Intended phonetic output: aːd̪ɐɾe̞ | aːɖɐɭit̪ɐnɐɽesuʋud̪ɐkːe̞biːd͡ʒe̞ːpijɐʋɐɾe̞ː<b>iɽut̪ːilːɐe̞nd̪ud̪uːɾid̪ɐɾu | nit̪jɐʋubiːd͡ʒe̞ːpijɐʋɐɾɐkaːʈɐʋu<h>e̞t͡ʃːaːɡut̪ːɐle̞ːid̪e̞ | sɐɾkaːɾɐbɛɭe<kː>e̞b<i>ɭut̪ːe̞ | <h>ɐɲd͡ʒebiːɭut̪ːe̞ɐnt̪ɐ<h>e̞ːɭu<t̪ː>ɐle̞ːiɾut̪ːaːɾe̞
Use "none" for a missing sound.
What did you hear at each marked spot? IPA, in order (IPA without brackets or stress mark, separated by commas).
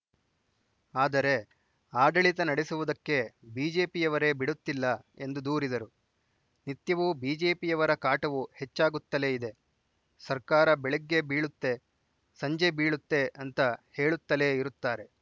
b, h, ɡː, iː, s, h, t̪ː